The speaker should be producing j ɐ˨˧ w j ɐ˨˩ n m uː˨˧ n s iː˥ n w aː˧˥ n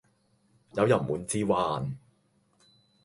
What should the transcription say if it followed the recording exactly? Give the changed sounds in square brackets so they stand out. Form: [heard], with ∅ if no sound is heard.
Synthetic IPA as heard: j ɐ˨˧ w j ɐ˨˩ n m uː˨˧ n [t͡s] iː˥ [∅] w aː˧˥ n